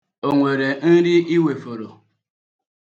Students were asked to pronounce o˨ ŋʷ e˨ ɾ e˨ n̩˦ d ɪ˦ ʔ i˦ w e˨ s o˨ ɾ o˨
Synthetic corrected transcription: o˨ ŋʷ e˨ ɾ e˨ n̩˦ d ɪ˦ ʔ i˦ w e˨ f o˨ ɾ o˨